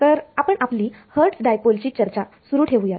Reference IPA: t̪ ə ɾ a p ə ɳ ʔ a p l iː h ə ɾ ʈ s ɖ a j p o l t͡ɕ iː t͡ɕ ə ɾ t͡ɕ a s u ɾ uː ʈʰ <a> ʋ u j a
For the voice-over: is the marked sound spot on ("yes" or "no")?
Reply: no